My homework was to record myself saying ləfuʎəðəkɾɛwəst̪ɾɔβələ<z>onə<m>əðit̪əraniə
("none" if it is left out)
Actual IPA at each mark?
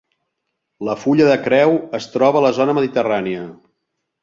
z, m

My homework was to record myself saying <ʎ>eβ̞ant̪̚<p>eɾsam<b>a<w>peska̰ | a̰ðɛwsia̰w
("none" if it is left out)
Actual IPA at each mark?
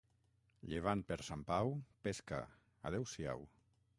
ʎ, p, p, w

